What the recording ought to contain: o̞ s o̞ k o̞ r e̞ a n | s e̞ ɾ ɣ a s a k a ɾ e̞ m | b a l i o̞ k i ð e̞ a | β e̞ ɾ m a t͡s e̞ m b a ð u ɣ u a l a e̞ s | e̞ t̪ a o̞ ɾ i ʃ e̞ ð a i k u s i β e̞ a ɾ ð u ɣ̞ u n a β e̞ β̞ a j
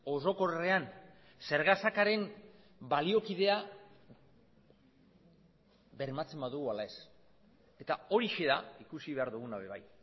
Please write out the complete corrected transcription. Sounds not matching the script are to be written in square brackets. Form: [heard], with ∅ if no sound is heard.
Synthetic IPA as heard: o̞ s o̞ k o̞ r e̞ a n | s e̞ ɾ ɣ a s a k a ɾ e̞ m | b a l i o̞ k i ð e̞ a | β e̞ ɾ m a t͡s e̞ m b a ð u ɣ u a l a e̞ s | e̞ t̪ a o̞ ɾ i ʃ e̞ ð a i k u s i β e̞ a ɾ ð u ɣ̞ u n a β e̞ β̞ a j

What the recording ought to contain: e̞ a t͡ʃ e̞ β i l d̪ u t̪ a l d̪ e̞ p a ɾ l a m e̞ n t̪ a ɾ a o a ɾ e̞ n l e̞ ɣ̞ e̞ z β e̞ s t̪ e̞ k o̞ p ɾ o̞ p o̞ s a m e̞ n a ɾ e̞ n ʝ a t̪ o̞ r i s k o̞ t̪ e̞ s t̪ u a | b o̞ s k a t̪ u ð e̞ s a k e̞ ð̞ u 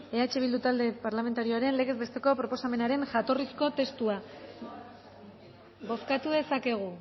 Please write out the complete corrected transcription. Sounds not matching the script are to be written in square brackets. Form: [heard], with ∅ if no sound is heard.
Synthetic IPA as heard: e̞ a t͡ʃ e̞ β i l d̪ u t̪ a l d̪ e̞ p a ɾ l a m e̞ n t̪ a ɾ [i] o a ɾ e̞ n l e̞ ɣ̞ e̞ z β e̞ s t̪ e̞ k o̞ p ɾ o̞ p o̞ s a m e̞ n a ɾ e̞ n ʝ a t̪ o̞ r i s k o̞ t̪ e̞ s t̪ u a | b o̞ s k a t̪ u ð e̞ s a k e̞ [ɣ̞] u

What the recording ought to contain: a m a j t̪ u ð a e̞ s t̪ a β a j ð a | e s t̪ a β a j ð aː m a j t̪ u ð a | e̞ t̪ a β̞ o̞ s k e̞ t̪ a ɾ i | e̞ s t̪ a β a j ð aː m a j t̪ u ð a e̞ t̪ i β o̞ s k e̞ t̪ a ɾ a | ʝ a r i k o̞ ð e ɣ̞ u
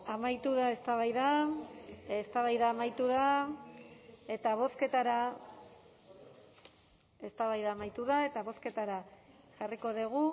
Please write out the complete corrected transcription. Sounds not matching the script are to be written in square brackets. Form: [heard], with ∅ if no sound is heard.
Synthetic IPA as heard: a m a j t̪ u ð a e̞ s t̪ a β a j ð a | e s t̪ a β a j ð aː m a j t̪ u ð a | e̞ t̪ a β̞ o̞ s k e̞ t̪ a ɾ [a] | e̞ s t̪ a β a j ð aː m a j t̪ u ð a e̞ t̪ [a] β o̞ s k e̞ t̪ a ɾ a | ʝ a r i k o̞ ð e ɣ̞ u

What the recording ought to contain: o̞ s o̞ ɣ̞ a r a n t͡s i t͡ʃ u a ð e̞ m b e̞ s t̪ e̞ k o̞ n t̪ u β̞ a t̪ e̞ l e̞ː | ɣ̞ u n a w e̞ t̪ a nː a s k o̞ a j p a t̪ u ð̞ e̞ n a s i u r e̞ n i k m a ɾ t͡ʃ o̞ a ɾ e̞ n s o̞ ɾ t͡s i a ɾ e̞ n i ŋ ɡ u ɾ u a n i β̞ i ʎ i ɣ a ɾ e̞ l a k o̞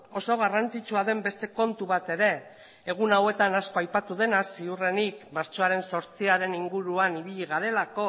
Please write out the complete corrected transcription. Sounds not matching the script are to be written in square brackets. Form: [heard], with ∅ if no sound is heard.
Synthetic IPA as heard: o̞ s o̞ ɣ̞ a r a n t͡s i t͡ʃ u a ð e̞ m b e̞ s t̪ e̞ k o̞ n t̪ u β̞ a t̪ e̞ [ɾ] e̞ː | ɣ̞ u n a w e̞ t̪ a [n] a s k o̞ a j p a t̪ u ð̞ e̞ n a s i u r e̞ n i k m a ɾ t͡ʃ o̞ a ɾ e̞ n s o̞ ɾ t͡s i a ɾ e̞ n i ŋ ɡ u ɾ u a n i β̞ i ʎ i ɣ a ɾ e̞ l a k o̞

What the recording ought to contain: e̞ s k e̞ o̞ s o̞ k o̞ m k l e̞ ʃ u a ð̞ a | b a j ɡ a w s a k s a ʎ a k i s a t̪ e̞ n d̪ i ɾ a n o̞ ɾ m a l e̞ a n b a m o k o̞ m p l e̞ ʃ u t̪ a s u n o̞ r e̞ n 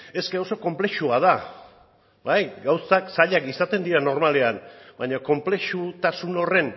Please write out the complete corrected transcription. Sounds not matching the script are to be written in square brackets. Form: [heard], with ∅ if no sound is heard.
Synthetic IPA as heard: e̞ s k e̞ o̞ s o̞ k o̞ m [p] l e̞ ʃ u a ð̞ a | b a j ɡ a w s a k s a ʎ a k i s a t̪ e̞ n d̪ i ɾ a n o̞ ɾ m a l e̞ a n b a [ɲ] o k o̞ m p l e̞ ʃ u t̪ a s u n o̞ r e̞ n

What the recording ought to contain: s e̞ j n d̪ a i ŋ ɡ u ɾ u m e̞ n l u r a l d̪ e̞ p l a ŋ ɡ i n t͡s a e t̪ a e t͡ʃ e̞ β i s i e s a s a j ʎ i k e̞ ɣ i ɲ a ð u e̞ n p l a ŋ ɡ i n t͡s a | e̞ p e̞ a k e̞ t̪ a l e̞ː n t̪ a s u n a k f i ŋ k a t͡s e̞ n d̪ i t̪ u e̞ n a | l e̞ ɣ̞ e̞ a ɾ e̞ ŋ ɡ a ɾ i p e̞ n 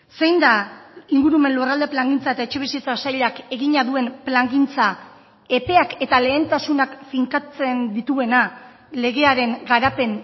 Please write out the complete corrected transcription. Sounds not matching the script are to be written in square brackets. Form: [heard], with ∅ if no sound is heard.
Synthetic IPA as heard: s e̞ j n d̪ a i ŋ ɡ u ɾ u m e̞ n l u r a l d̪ e̞ p l a ŋ ɡ i n t͡s a e t̪ a e t͡ʃ e̞ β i s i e [t͡s] a s a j ʎ [a] k e̞ ɣ i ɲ a ð u e̞ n p l a ŋ ɡ i n t͡s a | e̞ p e̞ a k e̞ t̪ a l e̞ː n t̪ a s u n a k f i ŋ k a t͡s e̞ n d̪ i t̪ u e̞ n a | l e̞ ɣ̞ e̞ a ɾ e̞ ŋ ɡ a ɾ [a] p e̞ n

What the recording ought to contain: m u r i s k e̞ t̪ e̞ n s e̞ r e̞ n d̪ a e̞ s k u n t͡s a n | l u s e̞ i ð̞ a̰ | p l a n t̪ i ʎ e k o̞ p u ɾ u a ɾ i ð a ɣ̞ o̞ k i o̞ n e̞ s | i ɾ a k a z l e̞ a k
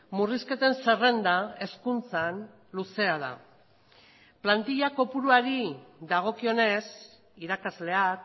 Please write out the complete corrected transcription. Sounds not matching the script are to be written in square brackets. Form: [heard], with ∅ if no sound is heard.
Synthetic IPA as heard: m u r i s k e̞ t̪ e̞ n s e̞ r e̞ n d̪ a e̞ s k u n t͡s a n | l u s e̞ [a] ð̞ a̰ | p l a n t̪ i ʎ [a] k o̞ p u ɾ u a ɾ i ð a ɣ̞ o̞ k i o̞ n e̞ s | i ɾ a k a z l e̞ a k

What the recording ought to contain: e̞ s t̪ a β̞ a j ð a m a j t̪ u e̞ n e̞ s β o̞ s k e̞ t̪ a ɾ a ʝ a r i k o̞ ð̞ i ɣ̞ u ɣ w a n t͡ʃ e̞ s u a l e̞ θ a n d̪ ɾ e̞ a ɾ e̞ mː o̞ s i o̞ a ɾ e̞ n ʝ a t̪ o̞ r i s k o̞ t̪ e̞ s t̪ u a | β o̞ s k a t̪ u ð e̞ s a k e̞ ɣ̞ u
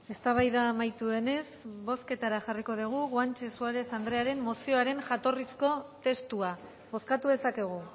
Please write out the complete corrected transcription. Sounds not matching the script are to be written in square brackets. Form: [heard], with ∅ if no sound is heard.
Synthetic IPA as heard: e̞ s t̪ a β̞ a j ð a m a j t̪ u e̞ n e̞ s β o̞ s k e̞ t̪ a ɾ a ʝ a r i k o̞ ð̞ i ɣ̞ u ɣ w a n t͡ʃ e̞ s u a [ɾ] e̞ θ a n d̪ ɾ e̞ a ɾ e̞ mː o̞ s i o̞ a ɾ e̞ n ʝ a t̪ o̞ r i s k o̞ t̪ e̞ s t̪ u a | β o̞ s k a t̪ u ð e̞ s a k e̞ ɣ̞ u

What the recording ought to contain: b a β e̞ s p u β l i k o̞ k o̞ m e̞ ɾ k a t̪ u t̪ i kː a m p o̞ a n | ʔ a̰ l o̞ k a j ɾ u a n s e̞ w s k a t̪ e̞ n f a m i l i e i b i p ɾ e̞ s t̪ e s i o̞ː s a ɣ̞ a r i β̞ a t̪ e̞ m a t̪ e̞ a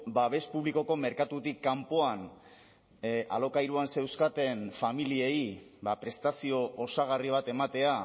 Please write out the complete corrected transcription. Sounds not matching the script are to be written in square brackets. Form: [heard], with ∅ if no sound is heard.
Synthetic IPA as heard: b a β e̞ s p u β l i k o̞ k o̞ m e̞ ɾ k a t̪ u t̪ i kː a m p o̞ a n | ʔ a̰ l o̞ k a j ɾ u a n s e̞ w s k a t̪ e̞ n f a m i l i e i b [a] p ɾ e̞ s t̪ [a] s i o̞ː s a ɣ̞ a r i β̞ a t̪ e̞ m a t̪ e̞ a

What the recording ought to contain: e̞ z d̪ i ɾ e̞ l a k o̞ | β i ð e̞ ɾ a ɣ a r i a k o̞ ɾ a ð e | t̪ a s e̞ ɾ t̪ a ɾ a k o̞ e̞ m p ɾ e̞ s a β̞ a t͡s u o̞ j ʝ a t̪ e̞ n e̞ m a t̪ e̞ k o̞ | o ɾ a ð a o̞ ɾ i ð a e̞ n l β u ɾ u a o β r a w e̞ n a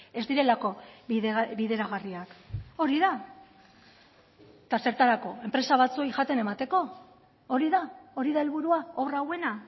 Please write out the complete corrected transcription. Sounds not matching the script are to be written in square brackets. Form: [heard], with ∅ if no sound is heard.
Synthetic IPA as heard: e̞ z d̪ i ɾ e̞ l a k o̞ | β i ð e̞ ɾ a ɣ a r i a k o̞ ɾ [i] ð [a] | t̪ a s e̞ ɾ t̪ a ɾ a k o̞ e̞ m p ɾ e̞ s a β̞ a t͡s u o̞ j ʝ a t̪ e̞ n e̞ m a t̪ e̞ k o̞ | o ɾ [i] ð a o̞ ɾ i ð a e̞ [∅] l β u ɾ u a o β r a w e̞ n a

